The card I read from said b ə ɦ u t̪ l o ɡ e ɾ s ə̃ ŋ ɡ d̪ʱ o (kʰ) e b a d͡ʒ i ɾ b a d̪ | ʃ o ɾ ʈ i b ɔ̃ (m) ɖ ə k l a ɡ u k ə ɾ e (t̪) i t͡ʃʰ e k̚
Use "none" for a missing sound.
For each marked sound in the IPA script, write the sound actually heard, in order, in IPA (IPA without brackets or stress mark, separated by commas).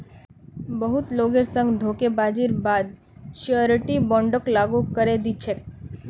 k, ɳ, d̪